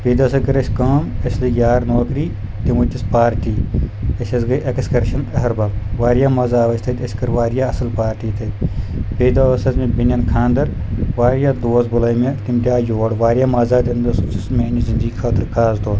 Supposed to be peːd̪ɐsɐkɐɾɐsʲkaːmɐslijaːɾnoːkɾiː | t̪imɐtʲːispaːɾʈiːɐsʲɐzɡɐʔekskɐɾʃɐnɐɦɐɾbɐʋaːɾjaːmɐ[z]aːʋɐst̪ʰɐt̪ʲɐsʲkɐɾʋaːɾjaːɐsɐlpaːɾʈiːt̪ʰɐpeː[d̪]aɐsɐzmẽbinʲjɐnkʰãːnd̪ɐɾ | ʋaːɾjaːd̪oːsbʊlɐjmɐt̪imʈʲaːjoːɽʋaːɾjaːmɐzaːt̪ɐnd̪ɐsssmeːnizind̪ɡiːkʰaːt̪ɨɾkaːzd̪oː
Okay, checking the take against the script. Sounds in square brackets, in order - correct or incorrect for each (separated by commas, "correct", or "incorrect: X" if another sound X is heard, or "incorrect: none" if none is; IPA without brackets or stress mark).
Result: correct, correct